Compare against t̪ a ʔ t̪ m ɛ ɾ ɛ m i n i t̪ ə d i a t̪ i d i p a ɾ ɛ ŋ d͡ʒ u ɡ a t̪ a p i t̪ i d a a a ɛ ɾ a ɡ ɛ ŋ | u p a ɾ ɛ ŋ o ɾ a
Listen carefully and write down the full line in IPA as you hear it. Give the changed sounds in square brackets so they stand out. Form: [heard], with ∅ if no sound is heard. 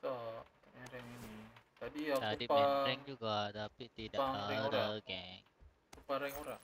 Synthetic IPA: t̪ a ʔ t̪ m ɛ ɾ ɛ [ŋ] i n i t̪ [a] d i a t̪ [a] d i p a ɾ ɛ ŋ d͡ʒ u ɡ a t̪ a p i t̪ i d a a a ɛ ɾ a ɡ ɛ ŋ | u p a ɾ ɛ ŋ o ɾ a